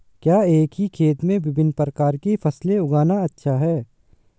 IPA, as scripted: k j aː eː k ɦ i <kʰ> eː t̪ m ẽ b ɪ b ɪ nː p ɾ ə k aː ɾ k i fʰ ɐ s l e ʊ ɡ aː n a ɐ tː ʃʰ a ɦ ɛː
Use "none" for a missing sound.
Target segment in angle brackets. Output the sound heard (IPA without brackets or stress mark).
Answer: kʰ